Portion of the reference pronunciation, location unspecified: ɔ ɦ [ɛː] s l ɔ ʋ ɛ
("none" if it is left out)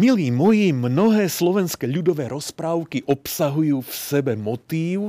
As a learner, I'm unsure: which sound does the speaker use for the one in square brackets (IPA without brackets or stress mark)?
ɛː